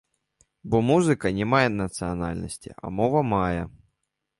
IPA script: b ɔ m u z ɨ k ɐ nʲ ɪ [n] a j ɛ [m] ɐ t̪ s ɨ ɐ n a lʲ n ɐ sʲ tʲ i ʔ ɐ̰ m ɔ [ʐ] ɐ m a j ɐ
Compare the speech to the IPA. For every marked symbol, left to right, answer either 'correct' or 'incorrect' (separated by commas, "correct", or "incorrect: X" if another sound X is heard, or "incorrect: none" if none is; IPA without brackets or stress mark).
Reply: incorrect: m, incorrect: n, incorrect: v